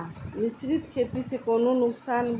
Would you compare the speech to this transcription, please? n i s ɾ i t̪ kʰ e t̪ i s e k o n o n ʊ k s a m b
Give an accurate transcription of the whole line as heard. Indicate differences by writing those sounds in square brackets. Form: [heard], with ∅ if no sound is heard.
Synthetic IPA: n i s ɾ i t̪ kʰ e t̪ i s e k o n o n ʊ k s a [n] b